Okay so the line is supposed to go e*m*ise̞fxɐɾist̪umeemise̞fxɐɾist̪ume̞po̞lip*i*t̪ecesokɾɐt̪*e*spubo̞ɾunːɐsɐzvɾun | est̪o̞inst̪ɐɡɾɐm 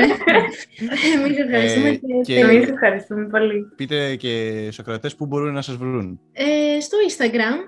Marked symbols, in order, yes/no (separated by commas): yes, yes, yes